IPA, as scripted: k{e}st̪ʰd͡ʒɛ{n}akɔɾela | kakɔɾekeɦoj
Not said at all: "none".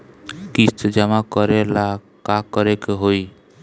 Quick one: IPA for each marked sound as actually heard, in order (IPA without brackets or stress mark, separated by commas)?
i, m